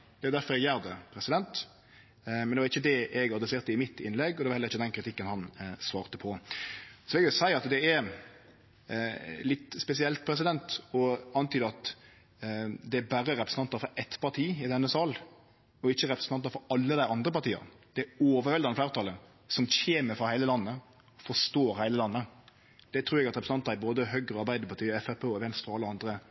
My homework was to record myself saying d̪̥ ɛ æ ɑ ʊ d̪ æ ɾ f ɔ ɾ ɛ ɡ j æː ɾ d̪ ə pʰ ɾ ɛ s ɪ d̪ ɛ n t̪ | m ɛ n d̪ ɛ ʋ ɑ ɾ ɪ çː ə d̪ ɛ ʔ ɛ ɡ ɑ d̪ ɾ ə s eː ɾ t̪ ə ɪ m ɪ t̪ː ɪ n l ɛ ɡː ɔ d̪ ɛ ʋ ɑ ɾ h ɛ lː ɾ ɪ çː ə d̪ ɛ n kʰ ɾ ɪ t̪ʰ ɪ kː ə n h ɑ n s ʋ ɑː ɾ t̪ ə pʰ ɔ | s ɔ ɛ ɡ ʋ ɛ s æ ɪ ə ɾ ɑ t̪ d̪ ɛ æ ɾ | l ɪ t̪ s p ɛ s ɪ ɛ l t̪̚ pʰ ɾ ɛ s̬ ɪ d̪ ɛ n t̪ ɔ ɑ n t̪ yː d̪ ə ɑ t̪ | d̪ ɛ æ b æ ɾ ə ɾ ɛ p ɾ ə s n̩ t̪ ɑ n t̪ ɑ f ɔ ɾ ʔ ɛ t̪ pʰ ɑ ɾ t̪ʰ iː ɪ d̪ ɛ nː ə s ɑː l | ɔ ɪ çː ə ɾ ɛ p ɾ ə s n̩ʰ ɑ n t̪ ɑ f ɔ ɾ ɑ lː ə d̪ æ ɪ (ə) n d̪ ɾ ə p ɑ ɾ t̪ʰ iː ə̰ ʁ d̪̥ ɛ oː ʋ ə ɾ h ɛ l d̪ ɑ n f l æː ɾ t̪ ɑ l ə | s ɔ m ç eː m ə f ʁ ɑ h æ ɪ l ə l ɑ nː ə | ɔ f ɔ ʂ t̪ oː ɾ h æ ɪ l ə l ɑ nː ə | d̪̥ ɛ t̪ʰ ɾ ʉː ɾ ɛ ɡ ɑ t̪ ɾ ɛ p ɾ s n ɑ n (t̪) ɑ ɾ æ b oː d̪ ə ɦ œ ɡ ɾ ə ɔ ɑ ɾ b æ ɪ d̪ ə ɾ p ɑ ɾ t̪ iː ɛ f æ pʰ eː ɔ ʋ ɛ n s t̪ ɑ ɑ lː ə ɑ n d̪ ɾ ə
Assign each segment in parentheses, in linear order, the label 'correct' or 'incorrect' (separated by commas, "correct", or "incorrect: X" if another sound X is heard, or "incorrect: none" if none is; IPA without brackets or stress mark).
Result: incorrect: ɑ, correct